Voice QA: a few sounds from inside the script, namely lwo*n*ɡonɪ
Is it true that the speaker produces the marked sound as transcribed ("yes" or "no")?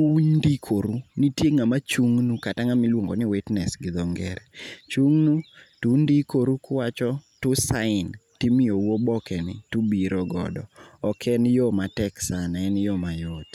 no